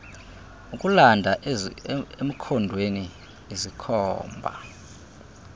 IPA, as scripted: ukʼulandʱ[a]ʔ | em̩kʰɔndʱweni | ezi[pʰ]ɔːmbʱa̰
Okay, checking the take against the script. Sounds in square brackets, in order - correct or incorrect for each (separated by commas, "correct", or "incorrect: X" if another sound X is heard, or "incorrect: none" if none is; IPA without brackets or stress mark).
correct, incorrect: kʰ